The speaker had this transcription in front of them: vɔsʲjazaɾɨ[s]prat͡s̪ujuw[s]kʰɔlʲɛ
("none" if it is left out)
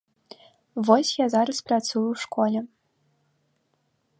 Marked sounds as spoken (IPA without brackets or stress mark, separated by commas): s, ʂ